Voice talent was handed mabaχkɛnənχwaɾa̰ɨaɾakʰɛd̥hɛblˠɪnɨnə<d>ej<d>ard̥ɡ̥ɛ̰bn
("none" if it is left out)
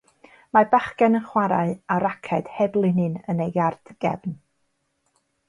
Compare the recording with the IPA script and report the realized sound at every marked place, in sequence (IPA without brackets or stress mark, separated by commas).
n, ɡ